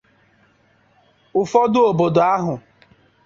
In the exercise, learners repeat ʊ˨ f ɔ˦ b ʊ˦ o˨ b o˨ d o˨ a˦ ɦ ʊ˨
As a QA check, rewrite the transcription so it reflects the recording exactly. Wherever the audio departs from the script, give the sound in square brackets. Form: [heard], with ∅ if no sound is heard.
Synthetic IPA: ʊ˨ f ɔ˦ [d] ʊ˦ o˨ b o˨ d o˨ a˦ ɦ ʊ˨